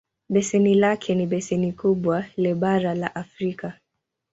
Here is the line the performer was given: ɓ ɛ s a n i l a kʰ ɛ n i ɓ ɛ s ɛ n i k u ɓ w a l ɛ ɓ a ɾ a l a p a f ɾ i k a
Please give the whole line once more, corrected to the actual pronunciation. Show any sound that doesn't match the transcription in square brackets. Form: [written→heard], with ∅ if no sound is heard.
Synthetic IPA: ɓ ɛ s [a→ɛ] n i l a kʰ ɛ n i ɓ ɛ s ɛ n i k u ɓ w a l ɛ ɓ a ɾ a l a [p→ʔ] a f ɾ i k a